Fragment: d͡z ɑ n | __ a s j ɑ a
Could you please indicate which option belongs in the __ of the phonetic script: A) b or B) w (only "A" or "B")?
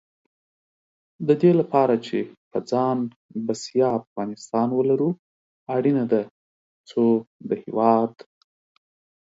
A